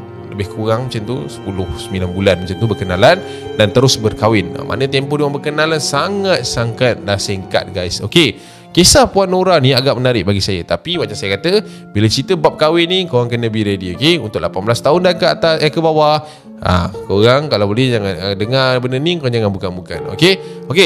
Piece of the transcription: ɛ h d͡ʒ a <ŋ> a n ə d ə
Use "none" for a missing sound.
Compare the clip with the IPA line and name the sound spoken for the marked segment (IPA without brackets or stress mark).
ŋ